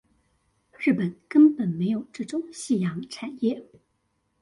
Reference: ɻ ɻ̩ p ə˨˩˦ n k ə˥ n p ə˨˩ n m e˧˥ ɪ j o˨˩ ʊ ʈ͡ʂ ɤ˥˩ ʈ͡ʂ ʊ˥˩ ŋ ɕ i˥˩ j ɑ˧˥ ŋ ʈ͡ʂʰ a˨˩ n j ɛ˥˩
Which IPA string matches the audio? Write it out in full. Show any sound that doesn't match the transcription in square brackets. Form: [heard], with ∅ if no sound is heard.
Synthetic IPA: ɻ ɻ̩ p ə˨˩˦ n k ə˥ n p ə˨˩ n m e˧˥ ɪ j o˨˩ ʊ ʈ͡ʂ ɤ˥˩ ʈ͡ʂ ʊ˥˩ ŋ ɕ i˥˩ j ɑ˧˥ ŋ ʈ͡ʂʰ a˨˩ n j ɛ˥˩